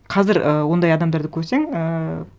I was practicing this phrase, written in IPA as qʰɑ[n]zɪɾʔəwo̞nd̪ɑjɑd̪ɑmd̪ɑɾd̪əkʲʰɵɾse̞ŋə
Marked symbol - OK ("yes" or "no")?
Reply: no